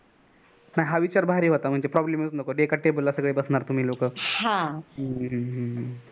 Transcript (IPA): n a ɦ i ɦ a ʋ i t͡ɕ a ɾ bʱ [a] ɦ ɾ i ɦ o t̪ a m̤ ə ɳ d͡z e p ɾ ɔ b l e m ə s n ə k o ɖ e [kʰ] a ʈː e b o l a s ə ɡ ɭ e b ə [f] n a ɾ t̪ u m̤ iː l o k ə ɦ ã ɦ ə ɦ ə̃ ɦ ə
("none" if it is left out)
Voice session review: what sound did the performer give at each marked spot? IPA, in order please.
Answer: a, k, s

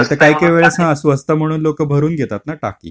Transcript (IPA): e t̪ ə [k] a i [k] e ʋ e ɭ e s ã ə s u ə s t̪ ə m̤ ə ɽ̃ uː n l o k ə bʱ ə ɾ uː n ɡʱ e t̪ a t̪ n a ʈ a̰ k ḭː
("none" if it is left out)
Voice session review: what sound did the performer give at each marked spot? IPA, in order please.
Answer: k, k

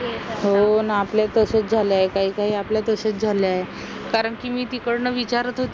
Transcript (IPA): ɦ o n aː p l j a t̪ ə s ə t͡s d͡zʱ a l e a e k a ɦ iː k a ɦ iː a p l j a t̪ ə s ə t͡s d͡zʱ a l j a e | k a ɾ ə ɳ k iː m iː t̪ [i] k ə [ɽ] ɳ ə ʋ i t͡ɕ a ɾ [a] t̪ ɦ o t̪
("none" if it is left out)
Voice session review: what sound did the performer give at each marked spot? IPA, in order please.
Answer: i, ɽ, ə

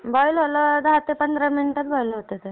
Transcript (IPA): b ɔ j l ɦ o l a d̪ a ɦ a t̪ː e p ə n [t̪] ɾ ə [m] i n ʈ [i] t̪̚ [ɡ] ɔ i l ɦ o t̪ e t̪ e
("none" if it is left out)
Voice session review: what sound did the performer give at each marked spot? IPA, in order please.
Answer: d̪, m, a, b

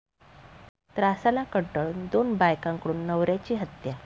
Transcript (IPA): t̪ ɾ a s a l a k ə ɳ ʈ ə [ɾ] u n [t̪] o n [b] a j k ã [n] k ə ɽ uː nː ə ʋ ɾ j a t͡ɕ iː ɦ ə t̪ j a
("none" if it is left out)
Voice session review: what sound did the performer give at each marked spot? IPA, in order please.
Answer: ɭ, d̪, b, ŋ

